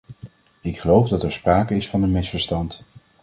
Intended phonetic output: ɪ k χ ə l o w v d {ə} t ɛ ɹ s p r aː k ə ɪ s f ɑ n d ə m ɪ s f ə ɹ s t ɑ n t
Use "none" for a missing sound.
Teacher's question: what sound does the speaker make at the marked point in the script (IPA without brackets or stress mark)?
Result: ɑ